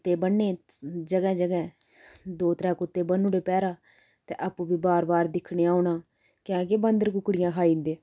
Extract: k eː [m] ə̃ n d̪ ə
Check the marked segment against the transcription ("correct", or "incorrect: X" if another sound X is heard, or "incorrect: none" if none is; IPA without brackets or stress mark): incorrect: b